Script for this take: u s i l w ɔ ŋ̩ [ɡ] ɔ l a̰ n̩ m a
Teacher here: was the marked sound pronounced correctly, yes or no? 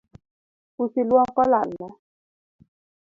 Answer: no